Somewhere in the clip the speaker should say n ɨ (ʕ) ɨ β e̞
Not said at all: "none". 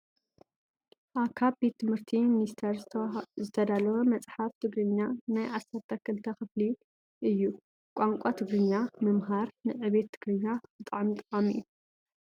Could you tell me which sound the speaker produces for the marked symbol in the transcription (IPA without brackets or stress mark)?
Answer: ʕ